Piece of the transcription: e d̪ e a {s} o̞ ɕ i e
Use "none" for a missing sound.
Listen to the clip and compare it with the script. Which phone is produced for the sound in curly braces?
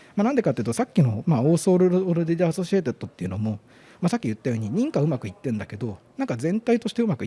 s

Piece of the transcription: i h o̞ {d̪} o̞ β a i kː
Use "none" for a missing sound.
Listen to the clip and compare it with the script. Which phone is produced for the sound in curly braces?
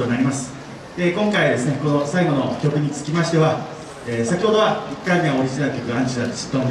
d̪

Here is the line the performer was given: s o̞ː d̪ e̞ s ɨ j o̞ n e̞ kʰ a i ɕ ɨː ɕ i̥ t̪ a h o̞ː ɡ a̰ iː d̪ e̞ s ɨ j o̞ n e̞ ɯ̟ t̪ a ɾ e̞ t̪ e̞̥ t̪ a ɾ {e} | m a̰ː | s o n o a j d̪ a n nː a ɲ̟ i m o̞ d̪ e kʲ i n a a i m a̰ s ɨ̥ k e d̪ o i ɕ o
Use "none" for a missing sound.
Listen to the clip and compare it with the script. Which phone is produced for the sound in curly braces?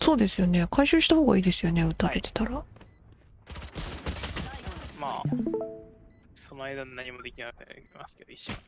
a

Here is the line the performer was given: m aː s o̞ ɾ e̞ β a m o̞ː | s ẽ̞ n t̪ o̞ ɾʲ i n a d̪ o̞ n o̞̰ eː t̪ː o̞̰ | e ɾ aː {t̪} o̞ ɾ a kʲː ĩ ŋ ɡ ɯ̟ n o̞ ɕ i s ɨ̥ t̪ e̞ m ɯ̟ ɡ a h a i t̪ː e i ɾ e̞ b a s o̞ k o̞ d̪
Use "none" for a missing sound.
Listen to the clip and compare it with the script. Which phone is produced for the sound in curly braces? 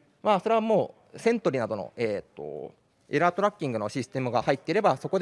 t̪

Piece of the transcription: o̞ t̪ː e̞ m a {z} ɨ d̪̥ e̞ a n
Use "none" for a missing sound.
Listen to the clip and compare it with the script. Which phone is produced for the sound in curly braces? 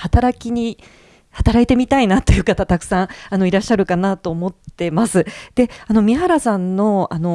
s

